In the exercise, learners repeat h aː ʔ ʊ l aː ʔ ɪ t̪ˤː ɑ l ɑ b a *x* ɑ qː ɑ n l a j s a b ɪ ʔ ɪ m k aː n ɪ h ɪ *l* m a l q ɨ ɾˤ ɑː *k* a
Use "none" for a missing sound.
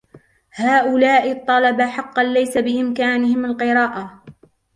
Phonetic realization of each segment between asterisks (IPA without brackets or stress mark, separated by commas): ħ, none, ʔ